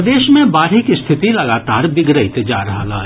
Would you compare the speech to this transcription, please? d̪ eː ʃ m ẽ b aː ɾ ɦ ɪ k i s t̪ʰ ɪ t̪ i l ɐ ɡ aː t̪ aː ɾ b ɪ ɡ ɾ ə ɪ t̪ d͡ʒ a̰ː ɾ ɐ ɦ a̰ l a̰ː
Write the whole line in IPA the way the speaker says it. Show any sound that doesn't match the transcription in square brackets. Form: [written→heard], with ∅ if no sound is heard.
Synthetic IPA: d̪ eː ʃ m ẽ b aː ɾ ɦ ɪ k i s t̪ʰ ɪ t̪ i l ɐ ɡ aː t̪ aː ɾ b ɪ ɡ ɾ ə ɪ t̪ d͡ʒ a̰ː ɾ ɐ ɦ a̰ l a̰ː